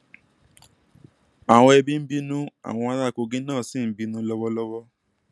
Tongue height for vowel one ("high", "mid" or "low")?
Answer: low